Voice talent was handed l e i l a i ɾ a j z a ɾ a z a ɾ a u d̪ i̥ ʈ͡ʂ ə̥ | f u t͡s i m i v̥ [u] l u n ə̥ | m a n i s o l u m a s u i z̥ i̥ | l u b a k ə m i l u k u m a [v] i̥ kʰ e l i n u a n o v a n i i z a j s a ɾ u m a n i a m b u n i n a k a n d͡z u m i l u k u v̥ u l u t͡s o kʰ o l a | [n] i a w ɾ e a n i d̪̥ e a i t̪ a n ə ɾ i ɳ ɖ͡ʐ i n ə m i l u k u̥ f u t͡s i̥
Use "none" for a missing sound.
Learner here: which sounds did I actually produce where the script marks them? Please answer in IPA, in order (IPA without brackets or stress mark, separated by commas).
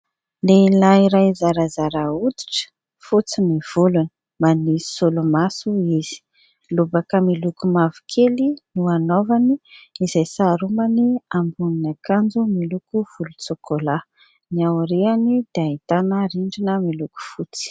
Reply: u, v, n